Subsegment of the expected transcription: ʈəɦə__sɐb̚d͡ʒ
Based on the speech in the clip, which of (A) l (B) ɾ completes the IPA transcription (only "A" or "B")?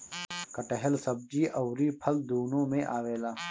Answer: A